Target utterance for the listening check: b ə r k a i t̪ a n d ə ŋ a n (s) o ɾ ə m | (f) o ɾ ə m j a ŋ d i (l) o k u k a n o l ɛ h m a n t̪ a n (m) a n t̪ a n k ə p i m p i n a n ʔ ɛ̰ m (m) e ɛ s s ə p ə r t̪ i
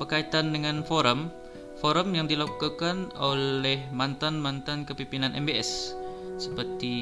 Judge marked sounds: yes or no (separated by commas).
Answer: no, yes, yes, yes, no